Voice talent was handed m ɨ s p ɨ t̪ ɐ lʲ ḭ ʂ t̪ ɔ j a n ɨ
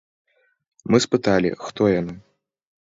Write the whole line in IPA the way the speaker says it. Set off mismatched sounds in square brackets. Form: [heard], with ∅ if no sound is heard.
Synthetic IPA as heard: m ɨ s p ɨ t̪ [a] lʲ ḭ [x] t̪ ɔ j a n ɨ